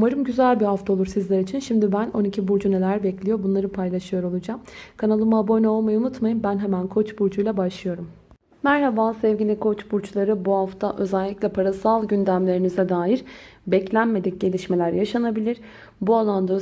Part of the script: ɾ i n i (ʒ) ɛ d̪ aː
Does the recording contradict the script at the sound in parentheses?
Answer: yes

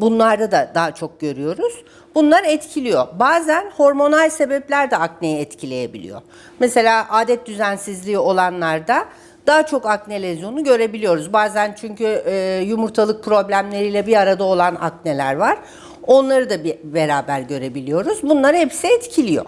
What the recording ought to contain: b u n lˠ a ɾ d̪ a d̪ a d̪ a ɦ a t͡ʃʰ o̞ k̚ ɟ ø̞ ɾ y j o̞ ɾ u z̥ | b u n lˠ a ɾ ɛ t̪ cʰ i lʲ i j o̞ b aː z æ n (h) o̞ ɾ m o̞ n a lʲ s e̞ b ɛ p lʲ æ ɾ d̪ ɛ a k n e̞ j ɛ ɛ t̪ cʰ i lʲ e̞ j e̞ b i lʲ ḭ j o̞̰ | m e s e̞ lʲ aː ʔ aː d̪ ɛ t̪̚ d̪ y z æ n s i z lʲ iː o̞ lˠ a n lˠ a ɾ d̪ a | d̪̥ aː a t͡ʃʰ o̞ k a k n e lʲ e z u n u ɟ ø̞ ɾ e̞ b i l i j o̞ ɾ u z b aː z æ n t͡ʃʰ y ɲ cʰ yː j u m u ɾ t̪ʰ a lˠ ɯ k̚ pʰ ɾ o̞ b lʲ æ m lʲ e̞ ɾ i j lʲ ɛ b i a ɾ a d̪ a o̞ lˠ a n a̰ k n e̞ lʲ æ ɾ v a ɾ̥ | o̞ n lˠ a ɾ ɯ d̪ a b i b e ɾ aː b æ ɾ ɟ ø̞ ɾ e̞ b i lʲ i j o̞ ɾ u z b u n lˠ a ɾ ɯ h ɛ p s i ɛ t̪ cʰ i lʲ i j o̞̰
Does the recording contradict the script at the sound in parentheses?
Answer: no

